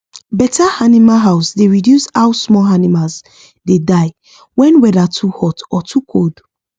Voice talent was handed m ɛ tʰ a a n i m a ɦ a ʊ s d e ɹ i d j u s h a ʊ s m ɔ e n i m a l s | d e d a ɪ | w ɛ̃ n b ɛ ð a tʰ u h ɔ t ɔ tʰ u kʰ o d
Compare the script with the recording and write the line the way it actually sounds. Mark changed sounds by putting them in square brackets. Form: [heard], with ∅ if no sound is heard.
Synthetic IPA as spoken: [b] ɛ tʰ a a n i m a ɦ a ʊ s d e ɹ i d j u s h a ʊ s m ɔ [a] n i m a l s | d e d a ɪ | w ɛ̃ n [w] ɛ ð a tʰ u h ɔ t ɔ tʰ u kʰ o d